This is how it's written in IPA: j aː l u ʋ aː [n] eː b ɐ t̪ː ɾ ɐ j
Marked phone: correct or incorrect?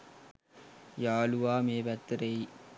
incorrect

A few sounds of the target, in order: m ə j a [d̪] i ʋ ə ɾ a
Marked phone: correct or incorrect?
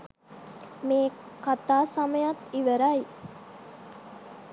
incorrect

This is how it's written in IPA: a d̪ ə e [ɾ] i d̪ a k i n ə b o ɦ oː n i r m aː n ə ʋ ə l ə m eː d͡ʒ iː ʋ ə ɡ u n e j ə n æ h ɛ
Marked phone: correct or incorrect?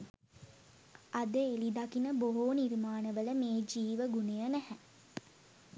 incorrect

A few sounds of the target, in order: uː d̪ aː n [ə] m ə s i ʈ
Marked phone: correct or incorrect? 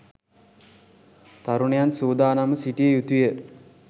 incorrect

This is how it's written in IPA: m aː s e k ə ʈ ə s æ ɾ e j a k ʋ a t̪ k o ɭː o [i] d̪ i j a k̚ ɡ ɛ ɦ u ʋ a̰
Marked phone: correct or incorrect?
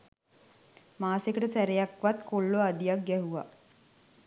incorrect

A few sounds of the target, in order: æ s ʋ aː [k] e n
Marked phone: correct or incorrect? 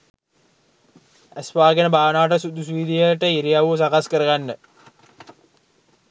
incorrect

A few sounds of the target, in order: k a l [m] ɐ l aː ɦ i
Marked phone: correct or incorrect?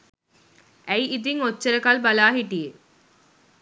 incorrect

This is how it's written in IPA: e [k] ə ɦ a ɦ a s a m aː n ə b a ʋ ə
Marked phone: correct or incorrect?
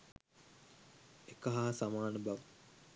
correct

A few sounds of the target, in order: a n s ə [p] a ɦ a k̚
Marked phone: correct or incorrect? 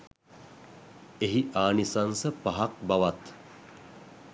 correct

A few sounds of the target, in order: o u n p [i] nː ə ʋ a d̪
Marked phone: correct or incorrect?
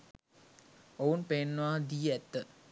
incorrect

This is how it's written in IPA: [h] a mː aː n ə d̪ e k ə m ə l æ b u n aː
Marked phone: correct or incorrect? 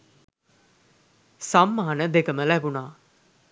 incorrect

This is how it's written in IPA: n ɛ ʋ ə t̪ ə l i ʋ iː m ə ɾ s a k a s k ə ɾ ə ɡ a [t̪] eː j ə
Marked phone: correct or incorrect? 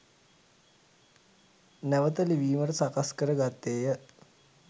correct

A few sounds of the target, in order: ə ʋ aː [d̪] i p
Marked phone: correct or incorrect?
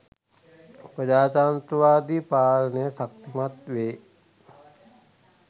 correct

